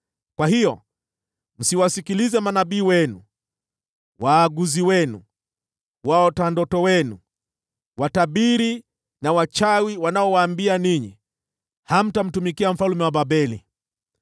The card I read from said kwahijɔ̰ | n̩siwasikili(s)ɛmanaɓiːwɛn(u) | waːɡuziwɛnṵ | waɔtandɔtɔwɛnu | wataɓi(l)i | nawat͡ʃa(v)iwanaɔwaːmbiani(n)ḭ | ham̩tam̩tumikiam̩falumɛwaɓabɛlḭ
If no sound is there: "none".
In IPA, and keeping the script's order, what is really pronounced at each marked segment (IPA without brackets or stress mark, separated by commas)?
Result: z, u, ɾ, w, ɲ